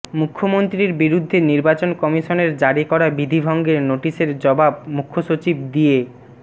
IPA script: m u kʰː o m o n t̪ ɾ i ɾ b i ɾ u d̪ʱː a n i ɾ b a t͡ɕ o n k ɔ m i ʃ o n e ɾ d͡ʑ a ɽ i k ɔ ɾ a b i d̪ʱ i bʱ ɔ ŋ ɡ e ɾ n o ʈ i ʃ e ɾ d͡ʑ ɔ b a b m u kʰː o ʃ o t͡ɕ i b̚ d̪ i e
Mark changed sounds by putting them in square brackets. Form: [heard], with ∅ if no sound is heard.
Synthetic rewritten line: m u kʰː o m o n t̪ ɾ i ɾ b i ɾ u d̪ʱː [e] n i ɾ b a t͡ɕ o n k ɔ m i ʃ o n e ɾ d͡ʑ a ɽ i k ɔ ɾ a b i d̪ʱ i bʱ ɔ ŋ ɡ e ɾ n o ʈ i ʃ e ɾ d͡ʑ ɔ b a b m u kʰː o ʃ o t͡ɕ i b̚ d̪ i e